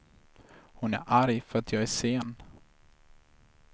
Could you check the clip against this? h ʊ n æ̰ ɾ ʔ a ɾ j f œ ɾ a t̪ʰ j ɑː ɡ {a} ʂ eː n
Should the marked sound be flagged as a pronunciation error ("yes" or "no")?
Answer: yes